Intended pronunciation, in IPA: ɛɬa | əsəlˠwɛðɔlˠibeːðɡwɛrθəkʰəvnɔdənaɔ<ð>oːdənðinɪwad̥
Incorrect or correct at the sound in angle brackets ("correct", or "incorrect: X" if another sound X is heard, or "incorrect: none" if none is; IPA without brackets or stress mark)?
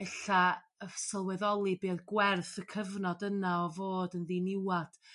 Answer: incorrect: v